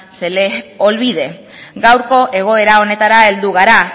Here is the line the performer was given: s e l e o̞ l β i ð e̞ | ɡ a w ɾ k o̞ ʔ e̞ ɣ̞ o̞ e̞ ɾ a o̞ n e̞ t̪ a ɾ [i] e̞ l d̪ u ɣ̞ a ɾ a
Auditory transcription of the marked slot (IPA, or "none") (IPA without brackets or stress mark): a